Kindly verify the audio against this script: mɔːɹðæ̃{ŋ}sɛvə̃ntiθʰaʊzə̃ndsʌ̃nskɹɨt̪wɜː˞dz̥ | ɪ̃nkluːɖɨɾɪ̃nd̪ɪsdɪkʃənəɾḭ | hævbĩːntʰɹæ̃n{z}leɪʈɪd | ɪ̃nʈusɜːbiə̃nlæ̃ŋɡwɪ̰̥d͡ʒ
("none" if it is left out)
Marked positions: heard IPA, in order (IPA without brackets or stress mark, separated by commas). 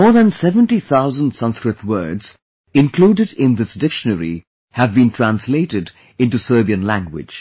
n, s